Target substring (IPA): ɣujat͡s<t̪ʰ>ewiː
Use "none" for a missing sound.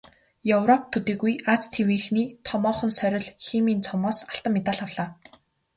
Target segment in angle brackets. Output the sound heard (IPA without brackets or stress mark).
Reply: t̪ʰ